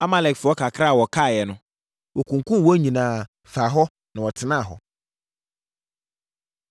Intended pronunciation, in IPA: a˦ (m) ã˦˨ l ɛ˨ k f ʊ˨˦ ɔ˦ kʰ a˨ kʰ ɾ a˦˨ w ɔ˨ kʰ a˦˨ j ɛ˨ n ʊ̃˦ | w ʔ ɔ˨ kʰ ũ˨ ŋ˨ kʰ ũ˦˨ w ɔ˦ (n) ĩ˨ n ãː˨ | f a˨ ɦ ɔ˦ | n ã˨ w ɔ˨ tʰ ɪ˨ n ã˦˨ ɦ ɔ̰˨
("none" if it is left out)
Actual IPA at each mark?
m, ɲ

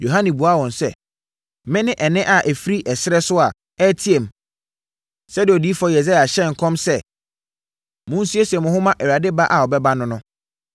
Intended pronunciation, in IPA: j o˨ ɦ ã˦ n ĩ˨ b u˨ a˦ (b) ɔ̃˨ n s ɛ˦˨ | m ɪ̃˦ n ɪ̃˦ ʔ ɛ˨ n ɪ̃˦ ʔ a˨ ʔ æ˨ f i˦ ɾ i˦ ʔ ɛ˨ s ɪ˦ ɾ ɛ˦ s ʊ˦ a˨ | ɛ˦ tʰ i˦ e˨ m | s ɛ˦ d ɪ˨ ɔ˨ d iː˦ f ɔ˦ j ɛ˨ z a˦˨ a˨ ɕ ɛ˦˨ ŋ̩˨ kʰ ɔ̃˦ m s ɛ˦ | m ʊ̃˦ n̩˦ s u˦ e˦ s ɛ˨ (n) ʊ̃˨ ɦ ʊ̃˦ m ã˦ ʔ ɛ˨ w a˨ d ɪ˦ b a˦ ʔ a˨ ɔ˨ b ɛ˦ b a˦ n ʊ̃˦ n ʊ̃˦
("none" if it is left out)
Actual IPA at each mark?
w, m

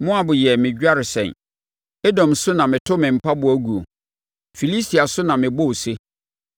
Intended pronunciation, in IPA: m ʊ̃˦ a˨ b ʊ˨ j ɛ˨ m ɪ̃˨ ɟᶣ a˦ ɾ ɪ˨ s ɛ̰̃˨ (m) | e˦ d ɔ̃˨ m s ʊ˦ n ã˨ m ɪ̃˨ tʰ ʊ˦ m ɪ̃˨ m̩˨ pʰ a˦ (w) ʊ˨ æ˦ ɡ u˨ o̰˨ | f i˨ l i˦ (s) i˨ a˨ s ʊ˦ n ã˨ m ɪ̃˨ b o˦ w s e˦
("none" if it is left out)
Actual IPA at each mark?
n, b, s

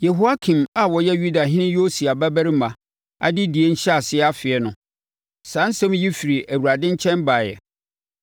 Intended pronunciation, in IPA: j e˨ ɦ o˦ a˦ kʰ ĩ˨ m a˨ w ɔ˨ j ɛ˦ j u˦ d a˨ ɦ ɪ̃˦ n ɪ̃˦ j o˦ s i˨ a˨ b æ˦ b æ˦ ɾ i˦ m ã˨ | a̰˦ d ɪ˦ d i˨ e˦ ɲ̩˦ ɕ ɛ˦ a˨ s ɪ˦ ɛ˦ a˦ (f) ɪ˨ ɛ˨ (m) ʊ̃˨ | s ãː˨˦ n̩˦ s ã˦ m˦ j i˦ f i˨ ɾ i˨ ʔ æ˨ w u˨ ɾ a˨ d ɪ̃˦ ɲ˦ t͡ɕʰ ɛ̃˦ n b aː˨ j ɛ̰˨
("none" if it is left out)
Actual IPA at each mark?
f, n

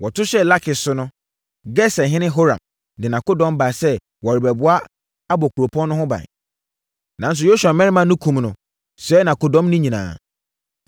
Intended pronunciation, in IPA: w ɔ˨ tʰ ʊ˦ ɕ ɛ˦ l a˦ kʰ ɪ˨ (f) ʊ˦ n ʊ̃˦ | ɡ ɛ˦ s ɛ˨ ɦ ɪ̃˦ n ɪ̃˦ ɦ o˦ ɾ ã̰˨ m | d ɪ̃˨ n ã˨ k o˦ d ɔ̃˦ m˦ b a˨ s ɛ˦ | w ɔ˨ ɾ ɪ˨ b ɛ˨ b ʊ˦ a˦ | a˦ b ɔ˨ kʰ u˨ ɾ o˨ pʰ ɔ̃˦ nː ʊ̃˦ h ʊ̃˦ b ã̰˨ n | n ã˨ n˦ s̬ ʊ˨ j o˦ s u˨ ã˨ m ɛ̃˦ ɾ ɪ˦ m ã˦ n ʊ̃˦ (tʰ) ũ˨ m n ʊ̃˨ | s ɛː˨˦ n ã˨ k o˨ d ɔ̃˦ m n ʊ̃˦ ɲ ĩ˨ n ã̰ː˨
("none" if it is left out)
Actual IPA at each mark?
s, kʰ

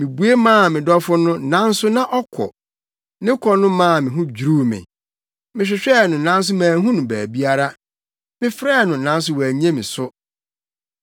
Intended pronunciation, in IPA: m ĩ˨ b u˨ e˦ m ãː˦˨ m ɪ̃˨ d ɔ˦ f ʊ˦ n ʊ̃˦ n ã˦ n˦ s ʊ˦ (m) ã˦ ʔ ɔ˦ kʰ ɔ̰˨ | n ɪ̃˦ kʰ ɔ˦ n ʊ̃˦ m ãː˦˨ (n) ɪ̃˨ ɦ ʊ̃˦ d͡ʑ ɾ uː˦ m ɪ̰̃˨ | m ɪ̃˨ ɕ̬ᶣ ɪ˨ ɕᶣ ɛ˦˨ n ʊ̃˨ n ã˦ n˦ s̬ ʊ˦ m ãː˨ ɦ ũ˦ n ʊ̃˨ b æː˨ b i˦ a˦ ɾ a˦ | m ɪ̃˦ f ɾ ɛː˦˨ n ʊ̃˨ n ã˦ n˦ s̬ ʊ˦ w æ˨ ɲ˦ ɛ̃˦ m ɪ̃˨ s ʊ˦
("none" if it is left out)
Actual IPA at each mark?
n, m

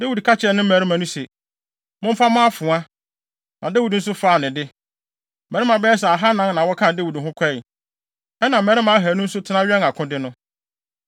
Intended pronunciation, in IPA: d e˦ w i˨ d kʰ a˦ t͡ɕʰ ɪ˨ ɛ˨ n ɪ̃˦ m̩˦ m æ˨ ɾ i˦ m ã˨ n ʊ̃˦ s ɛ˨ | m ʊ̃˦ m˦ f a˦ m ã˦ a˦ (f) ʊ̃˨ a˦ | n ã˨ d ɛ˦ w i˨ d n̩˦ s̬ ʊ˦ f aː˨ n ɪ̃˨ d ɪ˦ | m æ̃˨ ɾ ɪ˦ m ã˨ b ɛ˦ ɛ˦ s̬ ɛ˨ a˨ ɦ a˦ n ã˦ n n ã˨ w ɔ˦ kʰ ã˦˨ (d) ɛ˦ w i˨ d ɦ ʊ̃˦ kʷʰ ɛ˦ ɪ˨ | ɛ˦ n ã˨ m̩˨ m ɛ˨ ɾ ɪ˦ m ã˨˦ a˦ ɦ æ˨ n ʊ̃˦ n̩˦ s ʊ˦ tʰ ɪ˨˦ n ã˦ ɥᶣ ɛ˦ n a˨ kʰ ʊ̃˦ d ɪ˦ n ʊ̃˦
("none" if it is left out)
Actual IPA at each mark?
f, d

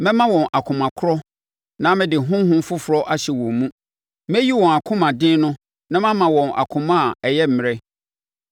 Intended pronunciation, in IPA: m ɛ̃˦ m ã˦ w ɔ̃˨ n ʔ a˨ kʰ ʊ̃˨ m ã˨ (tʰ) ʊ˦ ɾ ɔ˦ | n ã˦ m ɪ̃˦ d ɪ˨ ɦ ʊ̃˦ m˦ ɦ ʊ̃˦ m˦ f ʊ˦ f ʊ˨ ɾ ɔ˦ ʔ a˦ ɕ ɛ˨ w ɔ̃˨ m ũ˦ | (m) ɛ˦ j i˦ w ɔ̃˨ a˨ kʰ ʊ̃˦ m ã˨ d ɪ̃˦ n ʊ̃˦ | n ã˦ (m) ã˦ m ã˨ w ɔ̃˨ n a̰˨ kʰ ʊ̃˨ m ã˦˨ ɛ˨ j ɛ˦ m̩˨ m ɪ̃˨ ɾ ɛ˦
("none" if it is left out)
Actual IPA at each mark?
kʰ, m, m

